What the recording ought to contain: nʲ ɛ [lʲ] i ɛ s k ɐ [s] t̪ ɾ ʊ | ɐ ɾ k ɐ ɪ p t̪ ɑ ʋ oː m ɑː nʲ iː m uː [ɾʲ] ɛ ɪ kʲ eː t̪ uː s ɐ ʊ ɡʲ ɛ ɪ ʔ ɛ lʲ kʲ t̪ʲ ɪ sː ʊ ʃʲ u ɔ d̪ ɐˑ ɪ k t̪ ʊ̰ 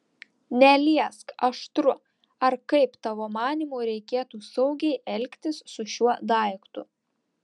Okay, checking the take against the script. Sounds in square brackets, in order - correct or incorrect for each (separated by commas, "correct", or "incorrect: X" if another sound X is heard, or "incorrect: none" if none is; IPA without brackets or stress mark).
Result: correct, incorrect: ʃ, correct